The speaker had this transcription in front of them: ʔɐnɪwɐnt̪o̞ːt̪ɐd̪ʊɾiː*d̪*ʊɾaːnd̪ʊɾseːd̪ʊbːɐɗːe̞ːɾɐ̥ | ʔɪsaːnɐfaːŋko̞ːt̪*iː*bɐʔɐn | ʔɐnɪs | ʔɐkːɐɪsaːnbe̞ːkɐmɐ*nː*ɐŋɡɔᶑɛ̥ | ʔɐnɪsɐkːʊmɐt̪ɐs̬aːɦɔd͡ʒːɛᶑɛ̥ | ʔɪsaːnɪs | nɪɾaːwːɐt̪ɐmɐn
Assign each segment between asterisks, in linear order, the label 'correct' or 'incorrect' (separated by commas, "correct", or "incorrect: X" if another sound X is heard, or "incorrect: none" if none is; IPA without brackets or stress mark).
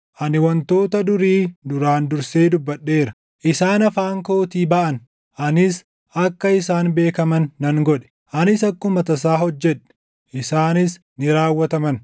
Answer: correct, correct, correct